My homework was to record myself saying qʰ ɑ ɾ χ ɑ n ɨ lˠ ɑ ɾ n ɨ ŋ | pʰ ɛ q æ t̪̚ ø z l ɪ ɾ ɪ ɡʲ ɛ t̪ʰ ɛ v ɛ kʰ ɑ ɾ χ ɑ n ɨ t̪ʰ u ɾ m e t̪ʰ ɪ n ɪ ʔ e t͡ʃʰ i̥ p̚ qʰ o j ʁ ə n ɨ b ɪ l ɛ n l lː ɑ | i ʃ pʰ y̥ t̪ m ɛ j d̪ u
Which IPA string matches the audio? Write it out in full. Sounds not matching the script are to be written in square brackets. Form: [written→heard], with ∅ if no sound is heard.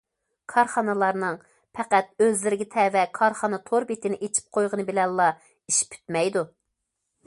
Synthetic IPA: [qʰ→kʰ] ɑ ɾ χ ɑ n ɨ lˠ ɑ ɾ n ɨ ŋ | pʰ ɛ q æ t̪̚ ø z l ɪ ɾ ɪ ɡʲ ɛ t̪ʰ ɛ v ɛ kʰ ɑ ɾ χ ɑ n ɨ t̪ʰ [u→o] ɾ [m→b] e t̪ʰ ɪ n ɪ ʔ e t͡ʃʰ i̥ p̚ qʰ o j ʁ ə n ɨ b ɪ l ɛ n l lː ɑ | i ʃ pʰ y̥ t̪ m ɛ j d̪ u